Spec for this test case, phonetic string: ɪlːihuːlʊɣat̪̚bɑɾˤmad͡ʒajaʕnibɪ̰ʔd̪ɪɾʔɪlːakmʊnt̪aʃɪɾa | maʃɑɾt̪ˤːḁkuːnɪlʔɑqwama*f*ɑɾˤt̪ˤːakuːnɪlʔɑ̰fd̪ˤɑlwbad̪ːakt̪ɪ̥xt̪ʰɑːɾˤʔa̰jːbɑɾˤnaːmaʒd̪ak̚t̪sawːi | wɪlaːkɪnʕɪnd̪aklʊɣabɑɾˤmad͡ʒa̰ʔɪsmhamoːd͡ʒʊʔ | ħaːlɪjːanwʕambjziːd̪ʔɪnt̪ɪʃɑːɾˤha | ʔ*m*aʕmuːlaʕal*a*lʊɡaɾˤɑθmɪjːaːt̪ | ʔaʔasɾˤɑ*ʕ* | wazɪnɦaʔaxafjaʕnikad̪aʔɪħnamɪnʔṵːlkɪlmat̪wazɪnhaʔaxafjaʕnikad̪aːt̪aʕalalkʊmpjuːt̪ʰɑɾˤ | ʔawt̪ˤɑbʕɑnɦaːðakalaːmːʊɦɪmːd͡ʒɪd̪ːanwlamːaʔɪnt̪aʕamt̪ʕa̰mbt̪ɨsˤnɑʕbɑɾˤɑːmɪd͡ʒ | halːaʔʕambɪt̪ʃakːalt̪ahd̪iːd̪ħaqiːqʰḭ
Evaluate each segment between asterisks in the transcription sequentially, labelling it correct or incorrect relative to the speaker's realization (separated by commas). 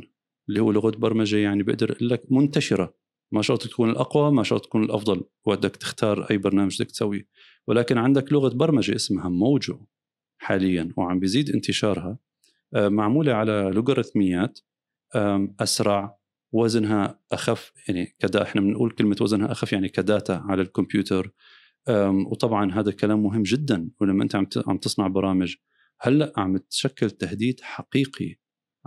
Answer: incorrect, correct, correct, correct